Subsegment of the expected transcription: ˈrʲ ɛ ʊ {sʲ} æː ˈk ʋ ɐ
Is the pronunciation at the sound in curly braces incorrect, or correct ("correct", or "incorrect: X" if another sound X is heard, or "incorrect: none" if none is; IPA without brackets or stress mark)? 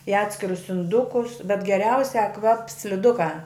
correct